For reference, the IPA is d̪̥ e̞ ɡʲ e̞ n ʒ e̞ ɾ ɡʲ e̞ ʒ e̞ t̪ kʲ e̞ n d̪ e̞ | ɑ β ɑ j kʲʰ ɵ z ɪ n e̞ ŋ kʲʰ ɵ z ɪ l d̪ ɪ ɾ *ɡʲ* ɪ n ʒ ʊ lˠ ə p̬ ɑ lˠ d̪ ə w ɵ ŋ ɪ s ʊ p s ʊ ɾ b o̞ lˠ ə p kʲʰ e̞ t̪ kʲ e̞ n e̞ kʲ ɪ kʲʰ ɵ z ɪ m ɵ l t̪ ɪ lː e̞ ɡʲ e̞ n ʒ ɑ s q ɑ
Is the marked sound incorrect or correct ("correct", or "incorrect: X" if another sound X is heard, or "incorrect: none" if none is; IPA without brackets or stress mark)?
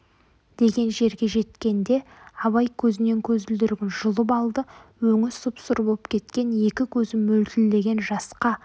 correct